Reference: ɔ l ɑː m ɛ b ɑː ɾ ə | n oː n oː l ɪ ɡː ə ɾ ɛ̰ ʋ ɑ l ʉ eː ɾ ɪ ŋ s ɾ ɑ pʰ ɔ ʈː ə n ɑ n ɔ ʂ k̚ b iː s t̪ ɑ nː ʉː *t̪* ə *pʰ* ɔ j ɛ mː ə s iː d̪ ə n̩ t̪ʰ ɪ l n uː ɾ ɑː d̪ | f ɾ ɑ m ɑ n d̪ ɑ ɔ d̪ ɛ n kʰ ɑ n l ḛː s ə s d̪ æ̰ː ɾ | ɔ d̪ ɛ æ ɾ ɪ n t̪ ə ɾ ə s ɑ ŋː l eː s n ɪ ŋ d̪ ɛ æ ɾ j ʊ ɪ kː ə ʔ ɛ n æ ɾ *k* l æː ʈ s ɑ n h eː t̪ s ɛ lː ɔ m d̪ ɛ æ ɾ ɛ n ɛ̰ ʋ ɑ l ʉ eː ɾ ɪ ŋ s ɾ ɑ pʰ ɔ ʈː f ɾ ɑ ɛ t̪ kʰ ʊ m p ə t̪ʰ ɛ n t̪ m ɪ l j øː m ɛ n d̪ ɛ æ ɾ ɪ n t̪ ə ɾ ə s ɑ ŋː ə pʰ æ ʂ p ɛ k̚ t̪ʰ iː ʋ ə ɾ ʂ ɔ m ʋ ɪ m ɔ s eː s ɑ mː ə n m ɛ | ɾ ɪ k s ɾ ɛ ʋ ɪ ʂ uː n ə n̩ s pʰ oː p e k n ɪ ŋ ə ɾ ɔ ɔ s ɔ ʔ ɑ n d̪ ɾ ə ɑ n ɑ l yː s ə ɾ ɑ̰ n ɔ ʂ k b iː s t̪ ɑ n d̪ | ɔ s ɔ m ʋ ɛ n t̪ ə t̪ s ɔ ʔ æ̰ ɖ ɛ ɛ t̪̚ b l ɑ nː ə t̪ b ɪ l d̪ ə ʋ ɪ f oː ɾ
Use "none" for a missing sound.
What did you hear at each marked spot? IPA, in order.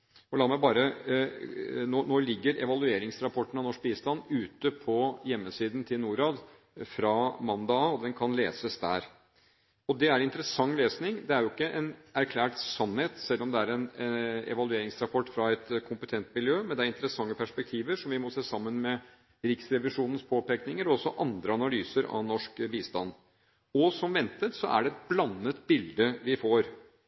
t̪, pʰ, kʰ

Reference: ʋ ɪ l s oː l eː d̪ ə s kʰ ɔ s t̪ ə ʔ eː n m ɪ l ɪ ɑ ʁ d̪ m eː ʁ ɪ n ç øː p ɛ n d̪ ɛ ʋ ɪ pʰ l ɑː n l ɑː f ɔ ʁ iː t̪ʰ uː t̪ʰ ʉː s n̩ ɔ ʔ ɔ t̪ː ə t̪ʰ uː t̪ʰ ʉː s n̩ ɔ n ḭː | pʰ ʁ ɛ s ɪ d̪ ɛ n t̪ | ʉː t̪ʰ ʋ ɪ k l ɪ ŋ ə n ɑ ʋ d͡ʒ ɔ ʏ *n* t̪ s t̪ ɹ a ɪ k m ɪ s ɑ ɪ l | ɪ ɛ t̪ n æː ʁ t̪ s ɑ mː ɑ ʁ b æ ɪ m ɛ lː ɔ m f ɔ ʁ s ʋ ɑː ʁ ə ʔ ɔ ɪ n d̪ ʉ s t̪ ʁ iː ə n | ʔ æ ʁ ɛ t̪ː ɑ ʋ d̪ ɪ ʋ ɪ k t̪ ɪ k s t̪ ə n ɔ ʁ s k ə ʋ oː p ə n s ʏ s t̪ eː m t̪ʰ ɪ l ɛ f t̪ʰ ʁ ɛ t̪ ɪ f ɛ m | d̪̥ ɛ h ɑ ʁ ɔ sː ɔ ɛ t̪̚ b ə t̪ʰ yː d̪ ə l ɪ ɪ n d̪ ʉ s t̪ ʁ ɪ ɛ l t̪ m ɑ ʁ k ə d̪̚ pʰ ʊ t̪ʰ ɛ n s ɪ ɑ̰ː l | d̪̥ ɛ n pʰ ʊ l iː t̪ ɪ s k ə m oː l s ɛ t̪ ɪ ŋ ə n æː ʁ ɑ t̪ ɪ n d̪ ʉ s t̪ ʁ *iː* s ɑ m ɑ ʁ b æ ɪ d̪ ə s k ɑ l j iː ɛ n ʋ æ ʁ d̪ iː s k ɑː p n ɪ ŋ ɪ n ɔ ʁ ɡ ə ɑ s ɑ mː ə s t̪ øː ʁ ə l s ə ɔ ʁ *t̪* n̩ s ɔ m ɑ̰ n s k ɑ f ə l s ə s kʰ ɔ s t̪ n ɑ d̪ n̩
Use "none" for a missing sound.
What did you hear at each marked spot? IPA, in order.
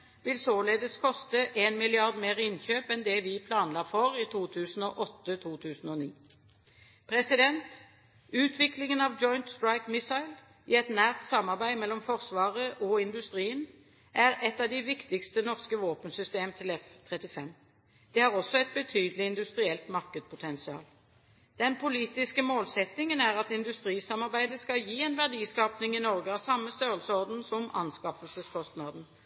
n, iː, d̪

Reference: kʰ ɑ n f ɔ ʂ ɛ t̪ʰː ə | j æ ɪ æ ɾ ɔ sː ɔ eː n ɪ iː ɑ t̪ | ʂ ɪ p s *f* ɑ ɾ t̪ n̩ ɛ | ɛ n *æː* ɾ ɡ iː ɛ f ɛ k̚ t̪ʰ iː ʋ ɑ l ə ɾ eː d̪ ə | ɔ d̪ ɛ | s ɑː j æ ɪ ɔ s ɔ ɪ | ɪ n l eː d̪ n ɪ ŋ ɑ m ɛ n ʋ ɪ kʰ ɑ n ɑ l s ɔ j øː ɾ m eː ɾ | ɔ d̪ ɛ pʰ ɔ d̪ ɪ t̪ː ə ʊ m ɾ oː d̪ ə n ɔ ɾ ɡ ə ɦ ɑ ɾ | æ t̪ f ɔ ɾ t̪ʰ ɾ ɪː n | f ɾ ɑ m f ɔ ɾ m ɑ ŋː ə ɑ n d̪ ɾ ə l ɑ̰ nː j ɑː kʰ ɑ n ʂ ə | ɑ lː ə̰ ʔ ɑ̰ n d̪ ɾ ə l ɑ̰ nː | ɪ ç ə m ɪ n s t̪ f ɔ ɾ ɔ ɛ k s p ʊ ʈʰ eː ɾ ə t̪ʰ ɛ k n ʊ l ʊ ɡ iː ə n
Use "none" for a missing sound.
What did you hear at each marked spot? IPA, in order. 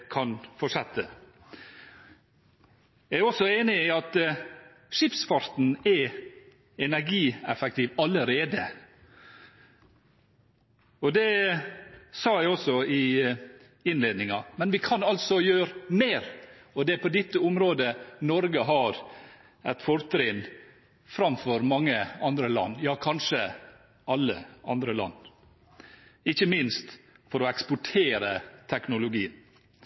f, æ

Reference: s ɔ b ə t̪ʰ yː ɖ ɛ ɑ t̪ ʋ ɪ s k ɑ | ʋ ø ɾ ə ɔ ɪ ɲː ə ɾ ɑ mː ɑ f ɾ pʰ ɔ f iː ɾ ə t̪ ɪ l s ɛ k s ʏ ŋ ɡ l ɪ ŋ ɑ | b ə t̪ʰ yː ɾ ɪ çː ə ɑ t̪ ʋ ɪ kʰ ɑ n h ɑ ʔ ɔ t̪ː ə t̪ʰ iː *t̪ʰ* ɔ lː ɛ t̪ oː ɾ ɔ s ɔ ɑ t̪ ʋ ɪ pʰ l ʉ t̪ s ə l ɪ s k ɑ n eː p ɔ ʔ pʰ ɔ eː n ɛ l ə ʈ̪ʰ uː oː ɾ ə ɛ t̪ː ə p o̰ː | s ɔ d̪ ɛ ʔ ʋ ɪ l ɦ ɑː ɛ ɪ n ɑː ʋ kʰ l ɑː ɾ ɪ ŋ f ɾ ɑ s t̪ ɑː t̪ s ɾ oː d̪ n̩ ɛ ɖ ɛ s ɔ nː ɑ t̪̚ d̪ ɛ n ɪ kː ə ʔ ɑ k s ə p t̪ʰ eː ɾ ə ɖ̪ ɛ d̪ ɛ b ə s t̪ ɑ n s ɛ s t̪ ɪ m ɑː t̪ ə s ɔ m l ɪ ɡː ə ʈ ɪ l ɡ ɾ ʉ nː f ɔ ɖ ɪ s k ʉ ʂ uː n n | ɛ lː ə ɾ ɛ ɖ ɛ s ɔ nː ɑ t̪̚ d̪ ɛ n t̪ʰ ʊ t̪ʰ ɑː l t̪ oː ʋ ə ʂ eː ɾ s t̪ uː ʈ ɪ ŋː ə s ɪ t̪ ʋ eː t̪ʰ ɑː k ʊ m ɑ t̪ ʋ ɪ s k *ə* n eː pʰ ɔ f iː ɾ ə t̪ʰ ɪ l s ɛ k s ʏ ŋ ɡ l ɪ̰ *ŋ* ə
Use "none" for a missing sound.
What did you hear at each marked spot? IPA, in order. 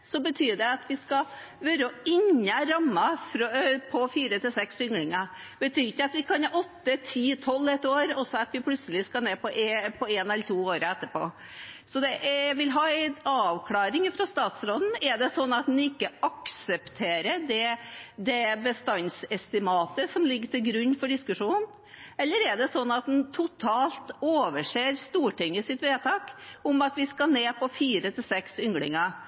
t̪ʰ, ɑ, ŋ

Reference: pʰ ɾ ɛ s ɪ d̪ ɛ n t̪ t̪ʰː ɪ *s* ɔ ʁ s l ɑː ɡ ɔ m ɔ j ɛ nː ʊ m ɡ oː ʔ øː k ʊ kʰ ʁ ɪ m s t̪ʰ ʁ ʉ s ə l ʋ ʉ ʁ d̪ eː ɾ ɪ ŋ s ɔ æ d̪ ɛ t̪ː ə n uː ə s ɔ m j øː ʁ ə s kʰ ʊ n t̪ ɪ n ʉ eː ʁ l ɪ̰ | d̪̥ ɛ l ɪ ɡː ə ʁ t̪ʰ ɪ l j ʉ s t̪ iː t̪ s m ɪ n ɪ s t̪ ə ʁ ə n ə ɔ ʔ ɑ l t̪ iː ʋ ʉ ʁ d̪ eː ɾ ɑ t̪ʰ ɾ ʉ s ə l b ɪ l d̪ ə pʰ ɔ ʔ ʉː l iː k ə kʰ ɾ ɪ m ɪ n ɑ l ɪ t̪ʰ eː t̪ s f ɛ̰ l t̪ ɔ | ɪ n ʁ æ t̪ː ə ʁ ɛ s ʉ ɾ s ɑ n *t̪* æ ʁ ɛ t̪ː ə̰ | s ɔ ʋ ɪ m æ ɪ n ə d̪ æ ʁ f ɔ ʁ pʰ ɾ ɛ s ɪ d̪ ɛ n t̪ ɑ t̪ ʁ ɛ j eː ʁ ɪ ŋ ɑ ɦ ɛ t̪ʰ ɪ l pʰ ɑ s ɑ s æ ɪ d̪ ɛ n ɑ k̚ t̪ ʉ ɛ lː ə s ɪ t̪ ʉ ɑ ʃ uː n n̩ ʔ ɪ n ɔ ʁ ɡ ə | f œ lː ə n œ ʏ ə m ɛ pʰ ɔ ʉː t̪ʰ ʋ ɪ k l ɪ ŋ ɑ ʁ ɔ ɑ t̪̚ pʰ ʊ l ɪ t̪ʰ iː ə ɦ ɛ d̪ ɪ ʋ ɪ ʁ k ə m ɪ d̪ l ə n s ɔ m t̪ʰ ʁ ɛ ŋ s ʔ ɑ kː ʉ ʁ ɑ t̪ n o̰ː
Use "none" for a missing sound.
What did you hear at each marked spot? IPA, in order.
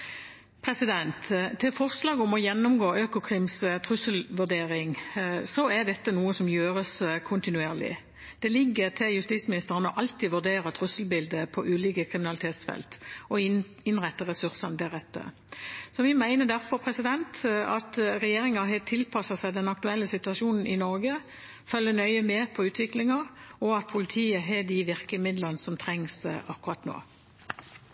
f, d̪

